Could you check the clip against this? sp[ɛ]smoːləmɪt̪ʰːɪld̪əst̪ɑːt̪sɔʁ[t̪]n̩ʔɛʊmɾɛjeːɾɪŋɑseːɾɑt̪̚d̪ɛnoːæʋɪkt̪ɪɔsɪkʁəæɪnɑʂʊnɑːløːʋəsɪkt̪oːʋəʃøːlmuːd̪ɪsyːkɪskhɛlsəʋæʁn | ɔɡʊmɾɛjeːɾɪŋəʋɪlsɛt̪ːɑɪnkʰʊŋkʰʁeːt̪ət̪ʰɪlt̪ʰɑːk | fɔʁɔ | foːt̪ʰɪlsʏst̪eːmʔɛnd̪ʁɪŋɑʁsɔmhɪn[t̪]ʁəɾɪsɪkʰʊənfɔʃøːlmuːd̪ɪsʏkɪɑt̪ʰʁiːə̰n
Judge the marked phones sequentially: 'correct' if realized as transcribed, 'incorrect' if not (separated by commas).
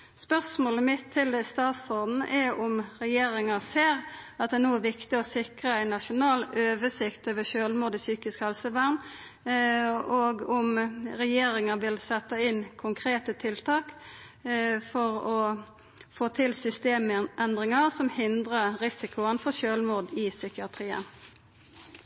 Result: incorrect, incorrect, incorrect